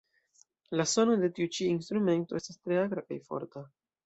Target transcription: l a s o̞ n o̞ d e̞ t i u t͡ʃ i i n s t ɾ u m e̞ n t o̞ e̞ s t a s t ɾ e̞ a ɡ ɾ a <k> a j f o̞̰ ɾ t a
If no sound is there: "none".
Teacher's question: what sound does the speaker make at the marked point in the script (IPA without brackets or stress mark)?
k